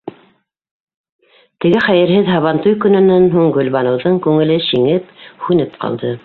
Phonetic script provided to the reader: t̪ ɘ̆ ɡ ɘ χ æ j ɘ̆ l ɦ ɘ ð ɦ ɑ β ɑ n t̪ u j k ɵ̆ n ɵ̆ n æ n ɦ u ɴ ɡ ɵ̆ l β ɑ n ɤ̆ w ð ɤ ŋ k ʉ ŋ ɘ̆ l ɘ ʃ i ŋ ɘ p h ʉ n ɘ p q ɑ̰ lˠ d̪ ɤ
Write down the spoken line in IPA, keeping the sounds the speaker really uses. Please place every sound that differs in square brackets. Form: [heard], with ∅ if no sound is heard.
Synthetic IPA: t̪ ɘ̆ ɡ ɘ χ æ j ɘ̆ [ɾ] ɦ ɘ ð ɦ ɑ β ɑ n t̪ u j k ɵ̆ n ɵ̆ n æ n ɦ u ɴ ɡ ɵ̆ l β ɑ n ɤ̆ w ð ɤ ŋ k ʉ ŋ ɘ̆ l ɘ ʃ i ŋ ɘ p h ʉ n ɘ p q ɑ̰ lˠ d̪ ɤ